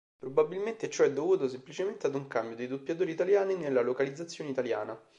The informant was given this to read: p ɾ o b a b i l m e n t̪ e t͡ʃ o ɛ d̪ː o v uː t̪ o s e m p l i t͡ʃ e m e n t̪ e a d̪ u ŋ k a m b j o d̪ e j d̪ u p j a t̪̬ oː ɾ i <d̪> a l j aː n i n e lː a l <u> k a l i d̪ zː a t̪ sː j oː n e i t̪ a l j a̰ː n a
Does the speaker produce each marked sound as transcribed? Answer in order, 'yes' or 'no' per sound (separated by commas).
no, no